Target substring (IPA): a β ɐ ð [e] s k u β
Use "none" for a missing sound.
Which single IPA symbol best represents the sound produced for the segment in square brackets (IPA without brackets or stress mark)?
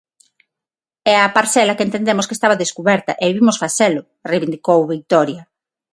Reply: e